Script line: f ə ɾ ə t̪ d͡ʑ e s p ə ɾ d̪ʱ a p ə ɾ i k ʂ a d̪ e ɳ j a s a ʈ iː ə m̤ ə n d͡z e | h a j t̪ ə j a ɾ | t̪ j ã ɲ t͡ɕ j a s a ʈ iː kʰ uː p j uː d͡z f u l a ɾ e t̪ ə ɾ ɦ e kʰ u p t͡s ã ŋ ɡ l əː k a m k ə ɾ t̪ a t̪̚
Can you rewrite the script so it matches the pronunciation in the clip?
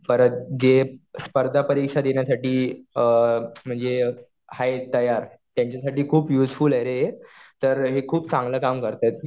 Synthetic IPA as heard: f ə ɾ ə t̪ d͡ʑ e s p ə ɾ d̪ʱ a p ə ɾ i k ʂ a d̪ e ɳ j a s a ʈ iː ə m̤ ə ɳ d͡z e | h a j t̪ ə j a ɾ | t̪ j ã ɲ t͡ɕ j a s a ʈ iː kʰ uː p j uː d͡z f u l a ɾ e t̪ ə ɾ ɦ e kʰ uː p t͡s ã ŋ ɡ l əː k a m k ə ɾ t̪ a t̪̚